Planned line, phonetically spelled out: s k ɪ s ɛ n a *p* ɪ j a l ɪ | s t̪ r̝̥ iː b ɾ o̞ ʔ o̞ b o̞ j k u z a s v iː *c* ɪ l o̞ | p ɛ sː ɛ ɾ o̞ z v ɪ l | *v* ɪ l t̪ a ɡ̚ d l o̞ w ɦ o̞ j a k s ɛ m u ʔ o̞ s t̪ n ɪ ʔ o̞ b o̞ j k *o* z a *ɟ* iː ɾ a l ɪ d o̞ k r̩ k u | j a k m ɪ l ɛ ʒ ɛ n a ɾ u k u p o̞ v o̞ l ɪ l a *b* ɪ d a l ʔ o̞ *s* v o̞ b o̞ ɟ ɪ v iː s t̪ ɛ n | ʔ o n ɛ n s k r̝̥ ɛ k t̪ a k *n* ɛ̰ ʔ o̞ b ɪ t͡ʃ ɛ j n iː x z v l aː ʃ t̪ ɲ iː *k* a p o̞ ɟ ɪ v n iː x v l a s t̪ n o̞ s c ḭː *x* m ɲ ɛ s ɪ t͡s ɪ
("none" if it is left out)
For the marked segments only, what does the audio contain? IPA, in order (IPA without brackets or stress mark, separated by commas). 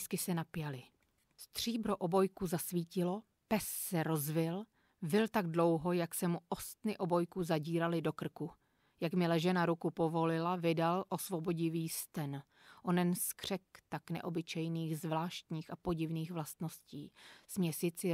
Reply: p, c, v, u, ɟ, v, s, n, x, s